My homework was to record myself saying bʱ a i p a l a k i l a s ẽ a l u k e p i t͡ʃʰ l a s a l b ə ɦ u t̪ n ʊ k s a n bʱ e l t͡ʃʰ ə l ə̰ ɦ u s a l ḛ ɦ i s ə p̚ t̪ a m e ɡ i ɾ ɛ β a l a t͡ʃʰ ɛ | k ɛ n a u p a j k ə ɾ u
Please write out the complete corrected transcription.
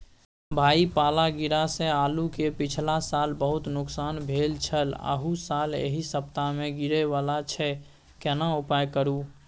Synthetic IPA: bʱ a i p a l a ɡ i ɾ a s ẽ a l u k e p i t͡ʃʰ l a s a l b ə ɦ u t̪ n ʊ k s a n bʱ e l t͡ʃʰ ə l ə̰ ɦ u s a l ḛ ɦ i s ə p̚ t̪ a m e ɡ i ɾ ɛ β a l a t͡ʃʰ ɛ | k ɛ n a u p a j k ə ɾ u